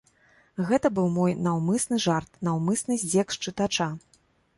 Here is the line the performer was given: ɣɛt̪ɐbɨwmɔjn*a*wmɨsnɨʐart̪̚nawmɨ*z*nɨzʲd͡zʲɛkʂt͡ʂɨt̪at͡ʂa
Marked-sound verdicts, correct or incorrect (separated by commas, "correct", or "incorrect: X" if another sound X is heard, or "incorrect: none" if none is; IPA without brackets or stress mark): correct, incorrect: s